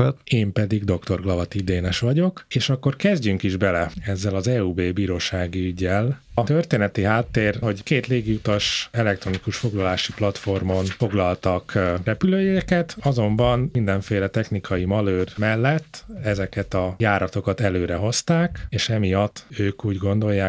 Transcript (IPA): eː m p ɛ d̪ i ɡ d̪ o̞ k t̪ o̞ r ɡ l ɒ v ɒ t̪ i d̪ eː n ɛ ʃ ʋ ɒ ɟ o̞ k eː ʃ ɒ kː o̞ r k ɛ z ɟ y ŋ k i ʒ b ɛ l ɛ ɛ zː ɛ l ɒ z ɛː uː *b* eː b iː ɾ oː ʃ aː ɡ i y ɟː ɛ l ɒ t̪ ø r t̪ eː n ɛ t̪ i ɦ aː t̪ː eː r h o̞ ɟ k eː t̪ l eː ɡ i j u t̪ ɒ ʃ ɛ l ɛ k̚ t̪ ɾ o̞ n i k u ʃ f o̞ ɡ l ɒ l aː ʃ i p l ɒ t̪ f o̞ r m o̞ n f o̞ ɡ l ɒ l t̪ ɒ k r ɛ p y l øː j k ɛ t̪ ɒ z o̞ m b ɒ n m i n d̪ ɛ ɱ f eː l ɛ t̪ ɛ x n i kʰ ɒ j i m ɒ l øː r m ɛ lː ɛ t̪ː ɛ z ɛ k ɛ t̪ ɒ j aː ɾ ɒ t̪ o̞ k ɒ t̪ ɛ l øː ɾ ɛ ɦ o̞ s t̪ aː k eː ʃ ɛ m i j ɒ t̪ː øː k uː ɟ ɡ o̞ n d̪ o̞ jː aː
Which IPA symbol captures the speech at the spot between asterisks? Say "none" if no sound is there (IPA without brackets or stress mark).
b